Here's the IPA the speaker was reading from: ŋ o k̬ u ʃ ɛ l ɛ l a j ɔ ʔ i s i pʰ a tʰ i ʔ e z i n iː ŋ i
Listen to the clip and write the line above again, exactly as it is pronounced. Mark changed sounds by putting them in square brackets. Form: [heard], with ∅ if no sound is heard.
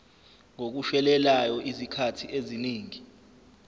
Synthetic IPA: ŋ o k̬ u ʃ ɛ l ɛ l a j ɔ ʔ i [z] i [kʰ] a tʰ i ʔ e z i n iː ŋ i